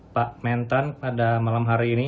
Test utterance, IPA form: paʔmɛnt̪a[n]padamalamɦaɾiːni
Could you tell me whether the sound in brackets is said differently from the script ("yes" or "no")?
no